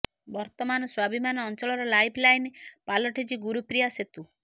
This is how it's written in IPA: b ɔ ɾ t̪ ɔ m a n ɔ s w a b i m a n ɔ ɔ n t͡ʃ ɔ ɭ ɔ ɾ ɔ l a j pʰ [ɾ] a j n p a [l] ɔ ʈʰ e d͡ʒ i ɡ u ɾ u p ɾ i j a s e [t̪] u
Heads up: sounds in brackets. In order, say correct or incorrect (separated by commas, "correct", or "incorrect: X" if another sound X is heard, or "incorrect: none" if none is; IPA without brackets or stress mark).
incorrect: l, correct, correct